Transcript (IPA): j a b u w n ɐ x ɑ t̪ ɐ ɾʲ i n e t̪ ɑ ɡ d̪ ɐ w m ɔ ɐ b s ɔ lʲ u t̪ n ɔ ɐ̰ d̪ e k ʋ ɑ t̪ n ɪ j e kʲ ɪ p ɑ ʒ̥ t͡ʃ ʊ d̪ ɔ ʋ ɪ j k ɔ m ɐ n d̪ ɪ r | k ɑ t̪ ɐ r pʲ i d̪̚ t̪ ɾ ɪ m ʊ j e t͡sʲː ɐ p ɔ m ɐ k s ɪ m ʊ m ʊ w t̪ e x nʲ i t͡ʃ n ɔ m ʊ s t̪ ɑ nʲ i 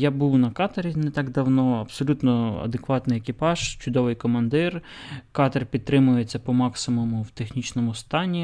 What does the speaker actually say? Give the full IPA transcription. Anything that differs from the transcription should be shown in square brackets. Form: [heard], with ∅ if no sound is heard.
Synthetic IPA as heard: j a b u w n ɐ [k] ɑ t̪ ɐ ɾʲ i n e t̪ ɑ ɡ d̪ ɐ w [n] ɔ ɐ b s ɔ lʲ u t̪ n ɔ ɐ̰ d̪ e k ʋ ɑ t̪ n ɪ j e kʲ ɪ p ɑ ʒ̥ t͡ʃ ʊ d̪ ɔ ʋ ɪ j k ɔ m ɐ n d̪ ɪ r | k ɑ t̪ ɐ r pʲ i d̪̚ t̪ ɾ ɪ m ʊ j e t͡sʲː ɐ p ɔ m [ɑ] k s ɪ m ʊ m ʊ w t̪ e x nʲ i t͡ʃ n ɔ m ʊ s t̪ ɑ nʲ i